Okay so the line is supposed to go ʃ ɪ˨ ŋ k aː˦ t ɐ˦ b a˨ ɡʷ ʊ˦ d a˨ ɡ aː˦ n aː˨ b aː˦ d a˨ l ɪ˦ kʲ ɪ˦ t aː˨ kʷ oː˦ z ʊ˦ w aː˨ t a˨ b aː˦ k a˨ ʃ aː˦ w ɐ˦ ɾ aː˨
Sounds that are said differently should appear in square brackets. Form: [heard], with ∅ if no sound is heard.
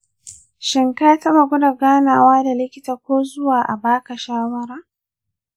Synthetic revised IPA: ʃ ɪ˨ ŋ k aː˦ t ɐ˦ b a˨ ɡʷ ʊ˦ d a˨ ɡ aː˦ n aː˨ [w] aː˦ d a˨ l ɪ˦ kʲ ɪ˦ t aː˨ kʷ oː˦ z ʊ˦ w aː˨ [ʔ] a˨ b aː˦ k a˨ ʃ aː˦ w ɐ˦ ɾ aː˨